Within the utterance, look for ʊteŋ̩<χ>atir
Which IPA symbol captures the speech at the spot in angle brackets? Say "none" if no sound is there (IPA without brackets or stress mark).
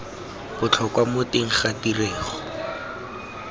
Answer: χ